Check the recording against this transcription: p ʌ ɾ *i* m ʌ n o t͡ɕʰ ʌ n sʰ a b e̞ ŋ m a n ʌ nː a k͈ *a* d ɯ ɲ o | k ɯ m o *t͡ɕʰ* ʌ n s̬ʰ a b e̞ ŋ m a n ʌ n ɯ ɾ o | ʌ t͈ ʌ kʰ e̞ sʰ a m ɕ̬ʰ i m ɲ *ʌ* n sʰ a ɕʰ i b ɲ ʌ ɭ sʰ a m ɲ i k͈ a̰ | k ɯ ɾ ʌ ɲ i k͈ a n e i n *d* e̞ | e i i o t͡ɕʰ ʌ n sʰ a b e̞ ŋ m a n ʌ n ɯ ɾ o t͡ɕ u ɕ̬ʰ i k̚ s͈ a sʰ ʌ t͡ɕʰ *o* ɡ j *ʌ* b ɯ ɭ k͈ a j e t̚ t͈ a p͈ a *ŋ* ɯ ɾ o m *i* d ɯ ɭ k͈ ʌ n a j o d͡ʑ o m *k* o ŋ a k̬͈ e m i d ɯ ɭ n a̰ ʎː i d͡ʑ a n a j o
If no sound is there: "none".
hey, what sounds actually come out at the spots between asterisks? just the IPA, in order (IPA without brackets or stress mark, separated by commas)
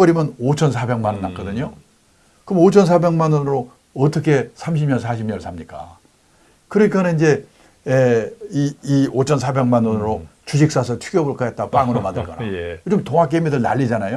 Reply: i, ʌ, t͡ɕʰ, ʌ, d͡ʑ, u, ʌ, ŋ, a, t